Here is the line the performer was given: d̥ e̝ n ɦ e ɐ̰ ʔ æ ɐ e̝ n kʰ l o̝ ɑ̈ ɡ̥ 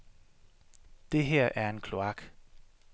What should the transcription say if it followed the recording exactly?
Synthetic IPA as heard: d̥ e̝ ɦ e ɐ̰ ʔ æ ɐ e̝ n kʰ l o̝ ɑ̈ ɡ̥